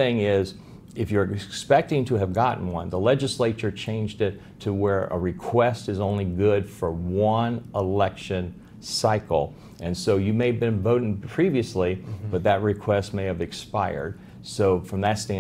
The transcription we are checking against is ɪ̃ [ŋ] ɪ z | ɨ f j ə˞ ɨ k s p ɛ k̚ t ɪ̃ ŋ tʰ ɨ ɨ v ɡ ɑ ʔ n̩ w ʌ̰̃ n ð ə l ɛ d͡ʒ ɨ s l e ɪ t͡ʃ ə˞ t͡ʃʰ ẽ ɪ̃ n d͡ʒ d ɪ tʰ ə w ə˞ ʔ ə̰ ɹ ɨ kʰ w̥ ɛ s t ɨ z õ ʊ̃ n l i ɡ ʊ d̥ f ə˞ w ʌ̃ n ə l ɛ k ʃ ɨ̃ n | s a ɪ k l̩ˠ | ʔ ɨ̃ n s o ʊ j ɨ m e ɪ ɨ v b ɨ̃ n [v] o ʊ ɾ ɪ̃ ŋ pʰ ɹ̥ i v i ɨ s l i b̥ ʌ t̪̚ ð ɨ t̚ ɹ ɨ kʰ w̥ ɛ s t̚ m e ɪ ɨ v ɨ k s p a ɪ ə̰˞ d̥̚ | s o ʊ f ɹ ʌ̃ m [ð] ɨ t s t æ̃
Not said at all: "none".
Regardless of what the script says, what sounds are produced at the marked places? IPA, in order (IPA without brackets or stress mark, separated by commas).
ŋ, v, ð